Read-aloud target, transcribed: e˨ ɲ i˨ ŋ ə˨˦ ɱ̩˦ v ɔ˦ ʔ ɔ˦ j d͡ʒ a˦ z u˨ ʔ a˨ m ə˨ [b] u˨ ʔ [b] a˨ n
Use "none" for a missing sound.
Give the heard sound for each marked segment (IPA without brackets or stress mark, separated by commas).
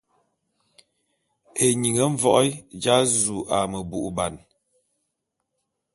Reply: b, b